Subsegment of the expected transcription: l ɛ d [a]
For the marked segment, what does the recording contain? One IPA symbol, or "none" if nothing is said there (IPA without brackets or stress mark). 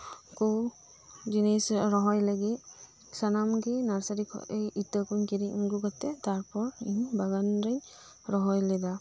a